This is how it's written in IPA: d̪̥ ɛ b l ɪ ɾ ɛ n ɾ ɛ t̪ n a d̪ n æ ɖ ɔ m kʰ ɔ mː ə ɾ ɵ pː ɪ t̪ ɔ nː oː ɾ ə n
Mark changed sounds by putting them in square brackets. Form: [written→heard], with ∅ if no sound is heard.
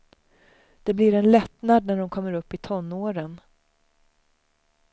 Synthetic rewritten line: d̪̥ ɛ b l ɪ ɾ ɛ n [ɾ→l] ɛ t̪ n a d̪ n æ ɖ ɔ m kʰ ɔ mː ə ɾ ɵ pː ɪ [t̪→t̪ʰ] ɔ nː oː ɾ ə n